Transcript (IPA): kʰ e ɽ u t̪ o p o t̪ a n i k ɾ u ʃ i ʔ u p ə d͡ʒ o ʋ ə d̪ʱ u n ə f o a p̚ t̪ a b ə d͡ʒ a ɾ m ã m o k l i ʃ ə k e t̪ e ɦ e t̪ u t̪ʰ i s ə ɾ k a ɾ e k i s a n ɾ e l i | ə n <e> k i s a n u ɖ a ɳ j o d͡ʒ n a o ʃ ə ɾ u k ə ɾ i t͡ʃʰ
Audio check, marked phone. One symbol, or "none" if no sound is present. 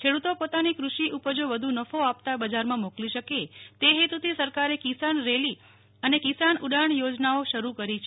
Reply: e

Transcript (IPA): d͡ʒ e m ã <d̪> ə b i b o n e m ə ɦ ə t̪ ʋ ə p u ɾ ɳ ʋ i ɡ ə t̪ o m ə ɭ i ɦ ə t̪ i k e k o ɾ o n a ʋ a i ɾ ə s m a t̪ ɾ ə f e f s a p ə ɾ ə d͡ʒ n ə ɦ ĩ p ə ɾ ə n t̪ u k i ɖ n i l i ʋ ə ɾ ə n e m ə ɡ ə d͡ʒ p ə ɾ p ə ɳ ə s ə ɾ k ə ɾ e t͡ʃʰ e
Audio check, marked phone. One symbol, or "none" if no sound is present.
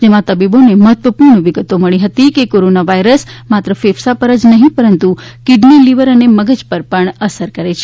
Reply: t̪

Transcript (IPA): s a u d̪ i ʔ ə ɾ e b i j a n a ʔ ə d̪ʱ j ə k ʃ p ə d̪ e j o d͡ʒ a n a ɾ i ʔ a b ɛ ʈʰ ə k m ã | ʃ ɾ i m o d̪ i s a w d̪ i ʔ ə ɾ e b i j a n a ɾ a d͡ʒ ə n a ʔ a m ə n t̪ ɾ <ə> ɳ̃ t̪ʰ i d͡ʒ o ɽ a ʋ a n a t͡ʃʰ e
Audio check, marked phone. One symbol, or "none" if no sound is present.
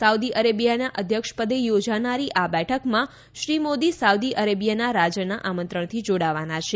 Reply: ə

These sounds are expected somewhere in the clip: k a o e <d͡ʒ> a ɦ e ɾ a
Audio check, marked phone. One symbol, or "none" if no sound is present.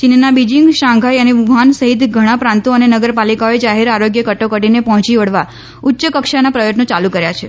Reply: d͡ʒ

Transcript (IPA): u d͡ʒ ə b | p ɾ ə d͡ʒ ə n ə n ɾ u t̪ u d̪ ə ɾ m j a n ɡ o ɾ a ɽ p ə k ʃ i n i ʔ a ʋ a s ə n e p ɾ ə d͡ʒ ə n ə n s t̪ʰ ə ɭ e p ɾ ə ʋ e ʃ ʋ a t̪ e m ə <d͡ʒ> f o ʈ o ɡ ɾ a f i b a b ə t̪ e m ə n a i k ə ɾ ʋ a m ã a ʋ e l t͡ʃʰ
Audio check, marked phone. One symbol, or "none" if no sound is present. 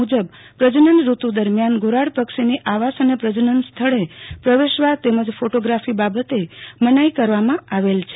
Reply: d͡ʒ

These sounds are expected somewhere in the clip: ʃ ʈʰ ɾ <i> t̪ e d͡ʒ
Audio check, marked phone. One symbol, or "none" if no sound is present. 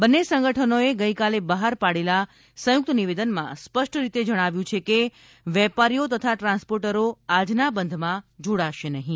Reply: i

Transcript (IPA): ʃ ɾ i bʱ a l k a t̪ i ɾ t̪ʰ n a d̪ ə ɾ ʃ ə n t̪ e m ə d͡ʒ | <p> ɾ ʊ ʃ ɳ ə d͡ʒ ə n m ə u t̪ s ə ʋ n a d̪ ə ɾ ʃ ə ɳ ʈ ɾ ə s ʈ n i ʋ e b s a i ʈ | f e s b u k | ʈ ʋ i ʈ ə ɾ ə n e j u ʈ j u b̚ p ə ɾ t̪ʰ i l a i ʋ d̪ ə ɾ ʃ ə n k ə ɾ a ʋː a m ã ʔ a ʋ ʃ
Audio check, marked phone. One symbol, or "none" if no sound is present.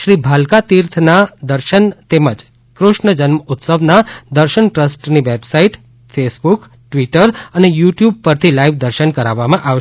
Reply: k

